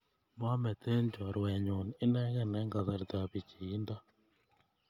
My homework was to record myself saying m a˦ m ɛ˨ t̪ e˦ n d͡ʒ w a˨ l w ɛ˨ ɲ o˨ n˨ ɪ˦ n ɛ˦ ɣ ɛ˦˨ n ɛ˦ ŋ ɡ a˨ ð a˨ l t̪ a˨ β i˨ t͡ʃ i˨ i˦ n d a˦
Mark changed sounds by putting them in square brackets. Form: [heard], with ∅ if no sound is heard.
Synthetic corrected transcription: m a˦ m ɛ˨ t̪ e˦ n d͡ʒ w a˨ [ɾ] w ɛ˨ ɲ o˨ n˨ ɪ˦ n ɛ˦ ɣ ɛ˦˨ n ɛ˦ ŋ ɡ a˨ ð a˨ [ɾ] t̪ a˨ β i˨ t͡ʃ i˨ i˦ n d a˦